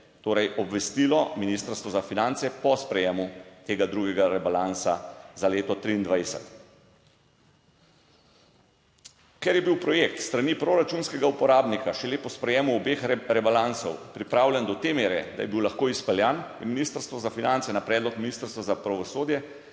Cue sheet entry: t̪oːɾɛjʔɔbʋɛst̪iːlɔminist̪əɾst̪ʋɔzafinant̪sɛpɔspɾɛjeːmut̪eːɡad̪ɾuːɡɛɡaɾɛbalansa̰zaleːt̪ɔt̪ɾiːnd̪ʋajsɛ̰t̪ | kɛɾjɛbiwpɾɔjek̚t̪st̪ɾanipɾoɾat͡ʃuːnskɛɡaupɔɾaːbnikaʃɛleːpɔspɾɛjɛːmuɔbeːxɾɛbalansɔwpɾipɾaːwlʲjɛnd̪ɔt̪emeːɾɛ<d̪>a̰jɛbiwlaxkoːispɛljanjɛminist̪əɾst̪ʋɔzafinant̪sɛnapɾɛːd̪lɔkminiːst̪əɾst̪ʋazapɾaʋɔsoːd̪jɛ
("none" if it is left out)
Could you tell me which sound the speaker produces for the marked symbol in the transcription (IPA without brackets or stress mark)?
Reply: d̪